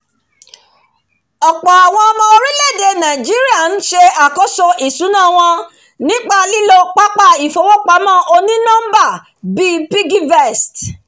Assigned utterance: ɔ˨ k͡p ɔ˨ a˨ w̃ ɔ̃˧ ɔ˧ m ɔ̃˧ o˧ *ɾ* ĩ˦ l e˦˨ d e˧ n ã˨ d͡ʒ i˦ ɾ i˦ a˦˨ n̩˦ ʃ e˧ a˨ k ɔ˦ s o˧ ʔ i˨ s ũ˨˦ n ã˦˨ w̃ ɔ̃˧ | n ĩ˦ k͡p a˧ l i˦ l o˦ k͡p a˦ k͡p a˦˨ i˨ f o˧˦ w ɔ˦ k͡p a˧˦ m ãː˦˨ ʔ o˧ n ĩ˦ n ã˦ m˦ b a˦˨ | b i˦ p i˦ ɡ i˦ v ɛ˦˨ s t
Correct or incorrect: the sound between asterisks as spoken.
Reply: correct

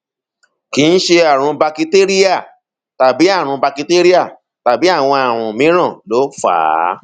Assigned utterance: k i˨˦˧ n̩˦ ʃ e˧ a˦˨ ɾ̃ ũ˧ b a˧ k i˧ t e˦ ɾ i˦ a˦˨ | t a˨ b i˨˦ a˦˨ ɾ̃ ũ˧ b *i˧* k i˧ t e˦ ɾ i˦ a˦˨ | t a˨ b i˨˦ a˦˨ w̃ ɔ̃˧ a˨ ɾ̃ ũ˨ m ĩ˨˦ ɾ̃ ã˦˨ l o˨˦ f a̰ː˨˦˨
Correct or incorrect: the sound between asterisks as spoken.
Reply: incorrect: a˧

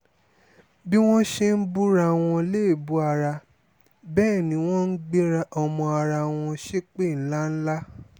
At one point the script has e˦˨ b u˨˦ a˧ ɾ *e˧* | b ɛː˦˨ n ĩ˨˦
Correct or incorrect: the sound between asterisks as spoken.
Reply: incorrect: a˧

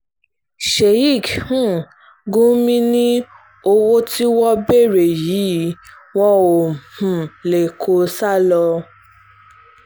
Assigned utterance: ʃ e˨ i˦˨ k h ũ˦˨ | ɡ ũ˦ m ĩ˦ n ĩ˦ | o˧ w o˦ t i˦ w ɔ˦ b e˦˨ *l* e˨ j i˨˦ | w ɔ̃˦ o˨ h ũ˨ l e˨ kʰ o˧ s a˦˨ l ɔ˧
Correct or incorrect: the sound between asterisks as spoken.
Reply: incorrect: ɾ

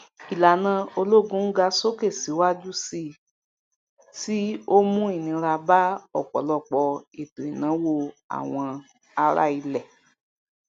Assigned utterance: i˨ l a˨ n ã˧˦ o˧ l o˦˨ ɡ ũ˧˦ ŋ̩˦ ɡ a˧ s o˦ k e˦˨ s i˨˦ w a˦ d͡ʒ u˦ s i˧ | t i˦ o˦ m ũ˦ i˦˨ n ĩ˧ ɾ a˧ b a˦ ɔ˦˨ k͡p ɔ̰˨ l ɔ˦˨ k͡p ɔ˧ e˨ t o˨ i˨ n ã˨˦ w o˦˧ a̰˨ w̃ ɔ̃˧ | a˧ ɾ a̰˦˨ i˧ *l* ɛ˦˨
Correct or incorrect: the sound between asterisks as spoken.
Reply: correct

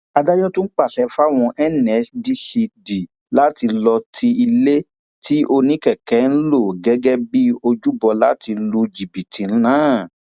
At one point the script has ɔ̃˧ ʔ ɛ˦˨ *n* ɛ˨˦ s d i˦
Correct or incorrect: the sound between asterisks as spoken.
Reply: correct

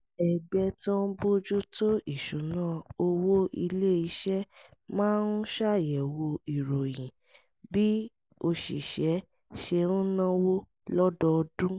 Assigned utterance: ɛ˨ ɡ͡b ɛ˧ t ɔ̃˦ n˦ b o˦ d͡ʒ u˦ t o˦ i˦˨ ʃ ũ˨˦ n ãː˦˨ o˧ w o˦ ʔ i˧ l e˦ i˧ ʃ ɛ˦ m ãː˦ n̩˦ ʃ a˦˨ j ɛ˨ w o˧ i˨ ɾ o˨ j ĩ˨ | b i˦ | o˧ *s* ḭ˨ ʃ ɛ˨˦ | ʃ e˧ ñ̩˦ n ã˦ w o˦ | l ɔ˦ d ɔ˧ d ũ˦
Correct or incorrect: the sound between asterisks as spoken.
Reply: incorrect: ʃ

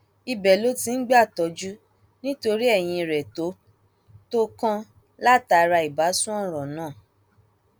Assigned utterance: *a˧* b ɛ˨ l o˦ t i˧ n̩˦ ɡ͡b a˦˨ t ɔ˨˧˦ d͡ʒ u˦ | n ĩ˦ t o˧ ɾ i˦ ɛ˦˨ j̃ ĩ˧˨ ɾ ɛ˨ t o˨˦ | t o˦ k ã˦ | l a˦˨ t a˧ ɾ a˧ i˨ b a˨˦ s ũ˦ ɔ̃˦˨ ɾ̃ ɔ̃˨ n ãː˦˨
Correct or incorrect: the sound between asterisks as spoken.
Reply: incorrect: i˧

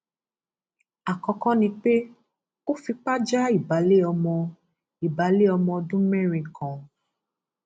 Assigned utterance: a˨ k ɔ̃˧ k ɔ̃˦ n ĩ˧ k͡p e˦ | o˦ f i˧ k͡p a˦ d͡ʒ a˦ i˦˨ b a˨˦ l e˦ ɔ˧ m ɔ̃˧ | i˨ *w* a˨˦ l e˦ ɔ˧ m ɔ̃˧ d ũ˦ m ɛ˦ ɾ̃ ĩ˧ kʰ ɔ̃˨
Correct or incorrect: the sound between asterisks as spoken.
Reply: incorrect: b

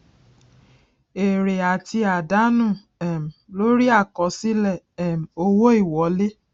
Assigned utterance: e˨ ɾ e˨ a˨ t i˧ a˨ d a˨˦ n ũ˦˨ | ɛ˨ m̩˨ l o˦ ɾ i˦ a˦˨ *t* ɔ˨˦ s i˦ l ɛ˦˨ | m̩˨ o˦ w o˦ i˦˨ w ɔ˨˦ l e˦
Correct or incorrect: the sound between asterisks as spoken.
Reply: incorrect: k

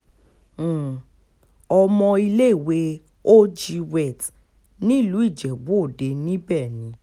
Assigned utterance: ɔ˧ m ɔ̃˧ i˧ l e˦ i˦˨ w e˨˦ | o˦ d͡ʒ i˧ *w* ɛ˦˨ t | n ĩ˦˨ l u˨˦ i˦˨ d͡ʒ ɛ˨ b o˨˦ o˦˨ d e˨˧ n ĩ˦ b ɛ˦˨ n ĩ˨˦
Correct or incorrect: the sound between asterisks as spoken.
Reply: correct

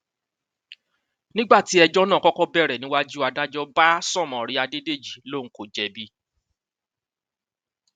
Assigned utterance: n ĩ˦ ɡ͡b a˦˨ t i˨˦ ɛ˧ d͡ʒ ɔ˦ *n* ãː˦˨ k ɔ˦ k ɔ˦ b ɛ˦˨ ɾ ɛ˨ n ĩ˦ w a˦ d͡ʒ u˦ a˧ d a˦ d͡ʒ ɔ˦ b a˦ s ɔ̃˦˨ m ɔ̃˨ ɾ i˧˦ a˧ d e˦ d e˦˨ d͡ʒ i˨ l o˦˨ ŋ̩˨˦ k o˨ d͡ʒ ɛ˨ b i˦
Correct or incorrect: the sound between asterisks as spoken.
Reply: correct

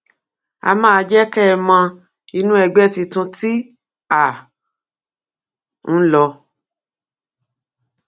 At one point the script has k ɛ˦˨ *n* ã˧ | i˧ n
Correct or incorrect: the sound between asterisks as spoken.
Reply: incorrect: m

